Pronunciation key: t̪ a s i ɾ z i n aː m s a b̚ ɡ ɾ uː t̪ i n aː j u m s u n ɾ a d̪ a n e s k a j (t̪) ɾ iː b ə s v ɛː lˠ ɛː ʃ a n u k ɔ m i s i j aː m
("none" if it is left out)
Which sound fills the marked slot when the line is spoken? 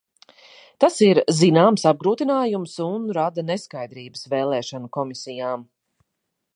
d̪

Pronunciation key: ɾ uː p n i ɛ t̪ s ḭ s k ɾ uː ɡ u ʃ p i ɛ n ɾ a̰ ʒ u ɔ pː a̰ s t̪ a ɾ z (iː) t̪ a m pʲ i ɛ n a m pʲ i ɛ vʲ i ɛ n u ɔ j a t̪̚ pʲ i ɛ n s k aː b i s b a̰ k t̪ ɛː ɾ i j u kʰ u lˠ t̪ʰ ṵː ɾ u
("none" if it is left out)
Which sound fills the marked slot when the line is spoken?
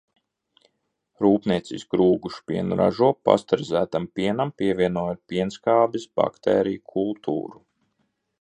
æː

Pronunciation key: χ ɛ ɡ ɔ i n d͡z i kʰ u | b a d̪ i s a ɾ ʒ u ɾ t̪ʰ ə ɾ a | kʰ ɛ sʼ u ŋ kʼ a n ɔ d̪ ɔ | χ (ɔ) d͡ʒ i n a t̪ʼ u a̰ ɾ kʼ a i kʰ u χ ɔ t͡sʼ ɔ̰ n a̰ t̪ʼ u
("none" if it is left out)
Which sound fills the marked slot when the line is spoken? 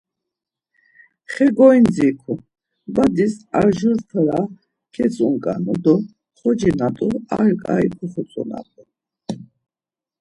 ɔ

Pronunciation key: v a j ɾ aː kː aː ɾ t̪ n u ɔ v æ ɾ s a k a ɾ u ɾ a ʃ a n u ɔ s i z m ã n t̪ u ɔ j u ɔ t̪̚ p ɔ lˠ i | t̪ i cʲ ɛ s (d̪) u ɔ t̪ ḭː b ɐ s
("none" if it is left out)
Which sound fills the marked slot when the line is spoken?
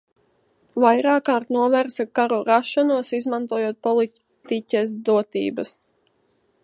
d̪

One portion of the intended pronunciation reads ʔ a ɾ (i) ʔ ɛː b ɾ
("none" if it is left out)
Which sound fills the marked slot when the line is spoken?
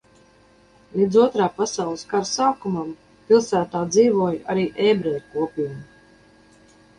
iː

